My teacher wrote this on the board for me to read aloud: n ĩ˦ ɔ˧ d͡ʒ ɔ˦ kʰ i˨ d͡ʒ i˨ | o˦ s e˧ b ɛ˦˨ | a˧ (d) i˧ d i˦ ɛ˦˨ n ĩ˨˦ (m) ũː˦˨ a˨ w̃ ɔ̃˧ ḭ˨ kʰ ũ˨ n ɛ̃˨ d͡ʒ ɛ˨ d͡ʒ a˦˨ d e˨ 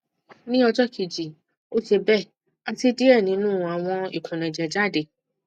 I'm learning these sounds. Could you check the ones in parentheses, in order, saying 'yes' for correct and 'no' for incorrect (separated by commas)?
no, no